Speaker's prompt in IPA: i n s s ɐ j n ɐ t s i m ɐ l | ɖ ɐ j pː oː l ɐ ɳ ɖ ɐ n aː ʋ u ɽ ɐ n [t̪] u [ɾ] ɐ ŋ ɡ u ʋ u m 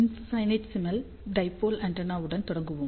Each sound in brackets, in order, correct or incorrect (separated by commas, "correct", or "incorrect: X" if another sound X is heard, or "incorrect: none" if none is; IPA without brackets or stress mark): correct, incorrect: ɽ